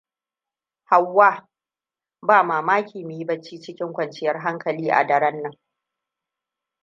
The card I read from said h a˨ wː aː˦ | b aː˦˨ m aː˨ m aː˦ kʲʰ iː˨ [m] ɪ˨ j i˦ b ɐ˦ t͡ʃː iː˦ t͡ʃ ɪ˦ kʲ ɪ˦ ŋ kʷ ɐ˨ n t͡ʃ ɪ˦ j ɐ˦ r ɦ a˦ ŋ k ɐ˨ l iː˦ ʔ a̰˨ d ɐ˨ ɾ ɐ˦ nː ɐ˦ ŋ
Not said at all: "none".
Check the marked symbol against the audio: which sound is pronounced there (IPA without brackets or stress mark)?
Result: m